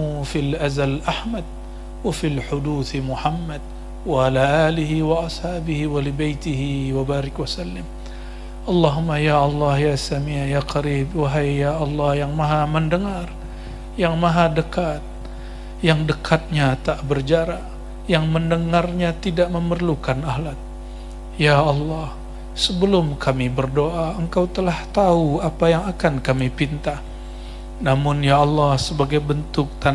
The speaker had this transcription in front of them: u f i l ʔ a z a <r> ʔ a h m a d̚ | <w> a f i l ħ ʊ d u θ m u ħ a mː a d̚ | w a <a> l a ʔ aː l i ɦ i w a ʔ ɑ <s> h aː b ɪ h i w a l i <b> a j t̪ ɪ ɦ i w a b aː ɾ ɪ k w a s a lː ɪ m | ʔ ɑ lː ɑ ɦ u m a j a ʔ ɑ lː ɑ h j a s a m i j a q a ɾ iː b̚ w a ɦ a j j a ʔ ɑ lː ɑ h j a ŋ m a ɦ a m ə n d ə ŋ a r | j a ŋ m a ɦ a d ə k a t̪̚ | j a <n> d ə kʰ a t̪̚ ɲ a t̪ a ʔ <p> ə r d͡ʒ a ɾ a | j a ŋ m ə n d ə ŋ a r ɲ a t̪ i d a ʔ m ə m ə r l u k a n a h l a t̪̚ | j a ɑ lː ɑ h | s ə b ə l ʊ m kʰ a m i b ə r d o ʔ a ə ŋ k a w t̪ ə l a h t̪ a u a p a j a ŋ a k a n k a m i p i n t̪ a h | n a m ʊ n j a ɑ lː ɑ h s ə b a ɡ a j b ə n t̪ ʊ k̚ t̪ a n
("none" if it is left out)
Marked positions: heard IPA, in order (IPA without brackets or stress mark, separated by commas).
l, w, a, s, b, ŋ, b